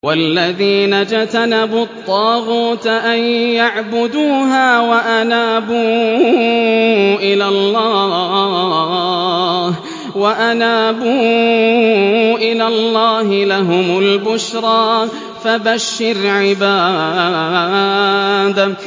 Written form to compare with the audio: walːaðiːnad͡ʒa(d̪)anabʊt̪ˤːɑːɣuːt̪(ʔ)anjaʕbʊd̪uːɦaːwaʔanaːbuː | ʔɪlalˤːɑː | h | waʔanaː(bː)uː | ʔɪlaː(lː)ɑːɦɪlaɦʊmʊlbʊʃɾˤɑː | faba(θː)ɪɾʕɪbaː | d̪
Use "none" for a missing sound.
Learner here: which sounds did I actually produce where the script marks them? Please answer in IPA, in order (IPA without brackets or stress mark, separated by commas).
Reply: t̪, ʔ, b, lː, ʃː